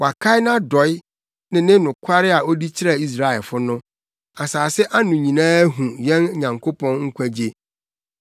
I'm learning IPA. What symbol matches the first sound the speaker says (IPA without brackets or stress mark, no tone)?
w